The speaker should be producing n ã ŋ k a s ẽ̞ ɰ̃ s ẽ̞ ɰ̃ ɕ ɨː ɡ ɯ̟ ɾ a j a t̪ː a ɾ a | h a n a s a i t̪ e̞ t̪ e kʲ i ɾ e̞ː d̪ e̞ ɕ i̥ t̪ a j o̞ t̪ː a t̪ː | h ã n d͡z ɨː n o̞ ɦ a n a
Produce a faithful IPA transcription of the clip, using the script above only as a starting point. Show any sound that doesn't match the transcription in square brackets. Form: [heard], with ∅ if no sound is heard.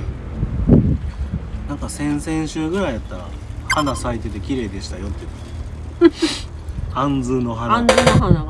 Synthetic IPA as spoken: n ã ŋ k a s ẽ̞ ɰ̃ s ẽ̞ ɰ̃ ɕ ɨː ɡ ɯ̟ ɾ a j a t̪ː a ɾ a | h a n a s a i t̪ e̞ t̪ e kʲ i ɾ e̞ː d̪ e̞ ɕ i̥ t̪ a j o̞ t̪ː [e] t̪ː | h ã n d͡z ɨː n o̞ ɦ a n a